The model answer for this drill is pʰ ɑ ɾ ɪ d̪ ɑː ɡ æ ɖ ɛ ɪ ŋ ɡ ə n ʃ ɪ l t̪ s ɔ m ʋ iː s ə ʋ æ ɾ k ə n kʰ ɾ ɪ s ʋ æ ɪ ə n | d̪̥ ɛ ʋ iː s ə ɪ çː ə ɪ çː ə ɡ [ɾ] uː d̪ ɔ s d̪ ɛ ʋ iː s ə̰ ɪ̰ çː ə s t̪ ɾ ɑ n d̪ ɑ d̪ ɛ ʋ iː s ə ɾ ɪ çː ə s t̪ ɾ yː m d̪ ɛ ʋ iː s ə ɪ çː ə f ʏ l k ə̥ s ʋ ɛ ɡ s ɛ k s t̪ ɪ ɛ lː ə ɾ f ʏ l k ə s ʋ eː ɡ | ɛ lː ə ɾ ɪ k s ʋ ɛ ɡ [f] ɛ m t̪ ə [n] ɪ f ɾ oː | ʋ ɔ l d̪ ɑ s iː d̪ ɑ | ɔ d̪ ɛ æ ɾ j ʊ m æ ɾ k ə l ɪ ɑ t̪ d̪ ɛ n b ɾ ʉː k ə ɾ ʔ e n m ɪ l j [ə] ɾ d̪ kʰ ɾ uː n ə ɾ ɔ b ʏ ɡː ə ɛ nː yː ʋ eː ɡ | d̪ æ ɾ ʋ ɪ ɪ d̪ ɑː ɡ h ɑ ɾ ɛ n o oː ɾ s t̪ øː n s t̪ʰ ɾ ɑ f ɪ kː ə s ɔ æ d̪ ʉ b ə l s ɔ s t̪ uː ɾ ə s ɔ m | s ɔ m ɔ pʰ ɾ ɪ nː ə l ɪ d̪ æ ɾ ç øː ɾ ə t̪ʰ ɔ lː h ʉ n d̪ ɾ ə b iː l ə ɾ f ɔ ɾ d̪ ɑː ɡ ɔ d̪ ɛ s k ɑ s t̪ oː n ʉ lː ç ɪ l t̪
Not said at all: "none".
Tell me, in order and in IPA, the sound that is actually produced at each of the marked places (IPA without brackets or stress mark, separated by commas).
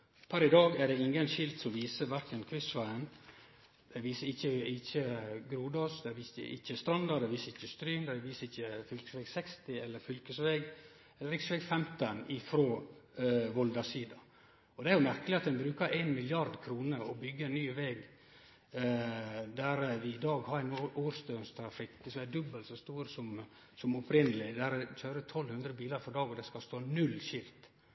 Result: ɾ, f, n, ɑ